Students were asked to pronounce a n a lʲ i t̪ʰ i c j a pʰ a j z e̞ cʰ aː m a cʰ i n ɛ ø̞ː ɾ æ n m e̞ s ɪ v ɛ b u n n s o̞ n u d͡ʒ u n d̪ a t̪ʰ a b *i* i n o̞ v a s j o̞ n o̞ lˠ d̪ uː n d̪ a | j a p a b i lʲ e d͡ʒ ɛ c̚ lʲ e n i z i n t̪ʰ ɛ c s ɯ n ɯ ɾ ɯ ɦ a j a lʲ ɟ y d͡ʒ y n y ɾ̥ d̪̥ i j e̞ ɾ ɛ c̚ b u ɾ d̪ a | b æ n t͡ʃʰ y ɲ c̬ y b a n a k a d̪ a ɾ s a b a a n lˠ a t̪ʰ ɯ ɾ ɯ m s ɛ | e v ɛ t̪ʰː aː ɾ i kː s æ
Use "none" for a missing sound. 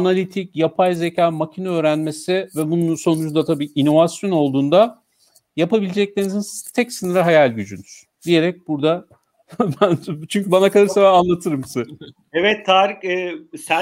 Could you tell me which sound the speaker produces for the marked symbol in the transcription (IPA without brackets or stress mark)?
iː